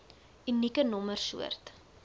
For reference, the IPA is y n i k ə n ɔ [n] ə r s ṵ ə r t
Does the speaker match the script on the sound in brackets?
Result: no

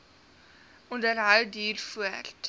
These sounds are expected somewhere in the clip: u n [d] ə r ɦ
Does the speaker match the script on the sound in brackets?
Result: yes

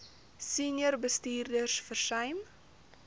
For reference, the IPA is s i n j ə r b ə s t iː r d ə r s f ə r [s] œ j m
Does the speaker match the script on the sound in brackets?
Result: yes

